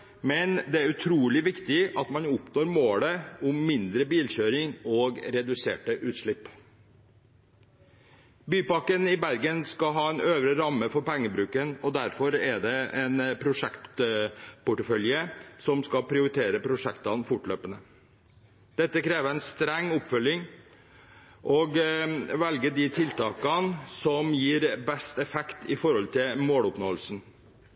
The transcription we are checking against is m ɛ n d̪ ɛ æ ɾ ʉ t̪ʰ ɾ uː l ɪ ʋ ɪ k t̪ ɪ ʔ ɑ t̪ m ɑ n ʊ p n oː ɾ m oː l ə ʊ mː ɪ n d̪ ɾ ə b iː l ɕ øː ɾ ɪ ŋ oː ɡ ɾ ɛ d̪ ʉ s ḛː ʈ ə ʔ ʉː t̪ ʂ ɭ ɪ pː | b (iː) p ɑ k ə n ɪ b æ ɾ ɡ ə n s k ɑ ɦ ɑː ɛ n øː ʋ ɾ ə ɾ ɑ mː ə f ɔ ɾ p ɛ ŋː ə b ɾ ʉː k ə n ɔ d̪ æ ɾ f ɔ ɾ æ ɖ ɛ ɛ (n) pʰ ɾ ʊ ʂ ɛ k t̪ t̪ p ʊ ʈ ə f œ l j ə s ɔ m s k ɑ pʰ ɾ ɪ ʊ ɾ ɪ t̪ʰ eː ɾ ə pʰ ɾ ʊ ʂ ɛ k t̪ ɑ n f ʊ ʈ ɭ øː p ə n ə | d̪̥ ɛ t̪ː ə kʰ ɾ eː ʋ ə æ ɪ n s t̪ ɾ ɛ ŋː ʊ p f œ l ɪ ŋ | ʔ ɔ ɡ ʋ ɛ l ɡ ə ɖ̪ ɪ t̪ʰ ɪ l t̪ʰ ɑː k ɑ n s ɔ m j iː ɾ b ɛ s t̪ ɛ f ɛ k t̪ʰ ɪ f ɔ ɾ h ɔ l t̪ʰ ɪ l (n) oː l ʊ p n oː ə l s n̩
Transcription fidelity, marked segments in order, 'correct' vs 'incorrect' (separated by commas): incorrect, correct, incorrect